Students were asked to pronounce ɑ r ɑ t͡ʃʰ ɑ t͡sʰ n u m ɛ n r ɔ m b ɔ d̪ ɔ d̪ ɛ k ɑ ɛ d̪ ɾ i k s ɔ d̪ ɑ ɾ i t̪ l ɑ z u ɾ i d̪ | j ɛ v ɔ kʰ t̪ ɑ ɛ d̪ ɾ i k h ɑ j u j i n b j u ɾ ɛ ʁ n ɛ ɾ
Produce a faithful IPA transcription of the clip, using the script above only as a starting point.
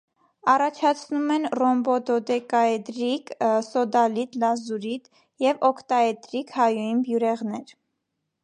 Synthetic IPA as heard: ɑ r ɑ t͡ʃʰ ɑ t͡sʰ n u m ɛ n r ɔ m b ɔ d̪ ɔ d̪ ɛ k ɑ ɛ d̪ ɾ i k s ɔ d̪ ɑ l i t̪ l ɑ z u ɾ i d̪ | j ɛ v ɔ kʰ t̪ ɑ ɛ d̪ ɾ i k h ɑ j u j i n b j u ɾ ɛ ʁ n ɛ ɾ